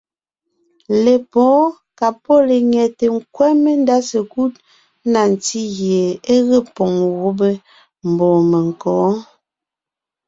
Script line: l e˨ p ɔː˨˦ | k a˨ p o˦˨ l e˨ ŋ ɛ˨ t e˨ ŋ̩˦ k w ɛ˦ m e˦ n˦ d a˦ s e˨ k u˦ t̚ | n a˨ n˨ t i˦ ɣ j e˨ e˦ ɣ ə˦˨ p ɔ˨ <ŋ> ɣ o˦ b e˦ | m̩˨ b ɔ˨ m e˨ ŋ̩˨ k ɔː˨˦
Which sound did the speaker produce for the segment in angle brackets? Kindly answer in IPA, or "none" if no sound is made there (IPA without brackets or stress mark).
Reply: ŋ